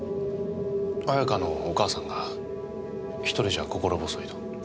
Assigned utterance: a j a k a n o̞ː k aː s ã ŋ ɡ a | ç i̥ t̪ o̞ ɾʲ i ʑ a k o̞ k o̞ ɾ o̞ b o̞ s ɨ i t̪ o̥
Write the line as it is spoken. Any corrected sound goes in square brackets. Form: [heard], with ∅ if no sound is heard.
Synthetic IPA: a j a k a n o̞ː k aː s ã ŋ ɡ a | ç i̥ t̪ o̞ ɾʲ i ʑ a k o̞ k o̞ ɾ o̞ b o̞ s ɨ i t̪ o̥